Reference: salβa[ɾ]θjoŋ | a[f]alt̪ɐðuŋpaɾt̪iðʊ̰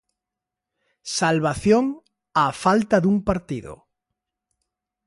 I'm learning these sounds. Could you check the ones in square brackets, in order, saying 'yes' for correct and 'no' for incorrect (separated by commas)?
no, yes